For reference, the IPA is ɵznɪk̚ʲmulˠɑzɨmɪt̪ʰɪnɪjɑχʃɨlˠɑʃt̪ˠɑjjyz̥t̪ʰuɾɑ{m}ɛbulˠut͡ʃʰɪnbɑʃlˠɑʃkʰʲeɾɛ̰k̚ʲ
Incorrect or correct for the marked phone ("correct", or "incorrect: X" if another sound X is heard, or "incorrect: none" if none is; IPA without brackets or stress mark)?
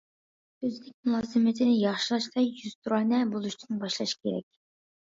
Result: incorrect: n